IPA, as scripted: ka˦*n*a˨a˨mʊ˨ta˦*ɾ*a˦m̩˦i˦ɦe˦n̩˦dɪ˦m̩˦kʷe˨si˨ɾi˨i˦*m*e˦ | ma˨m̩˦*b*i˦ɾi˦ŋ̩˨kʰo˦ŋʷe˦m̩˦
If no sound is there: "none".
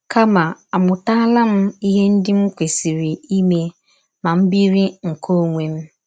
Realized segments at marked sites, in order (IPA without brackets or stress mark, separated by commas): m, l, m, b